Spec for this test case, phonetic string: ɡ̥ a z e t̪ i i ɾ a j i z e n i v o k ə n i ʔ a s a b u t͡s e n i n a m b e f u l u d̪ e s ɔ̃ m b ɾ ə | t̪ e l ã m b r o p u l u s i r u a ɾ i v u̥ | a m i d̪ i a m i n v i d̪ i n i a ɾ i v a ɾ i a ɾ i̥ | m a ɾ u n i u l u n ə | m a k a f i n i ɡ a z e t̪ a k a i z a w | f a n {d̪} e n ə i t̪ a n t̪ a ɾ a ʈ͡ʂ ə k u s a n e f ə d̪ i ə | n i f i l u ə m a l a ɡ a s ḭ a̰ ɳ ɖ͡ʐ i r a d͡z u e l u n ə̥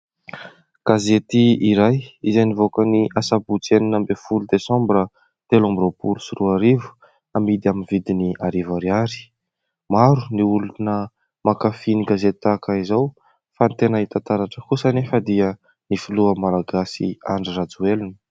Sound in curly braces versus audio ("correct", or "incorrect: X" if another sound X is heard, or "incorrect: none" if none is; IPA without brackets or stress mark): incorrect: t̪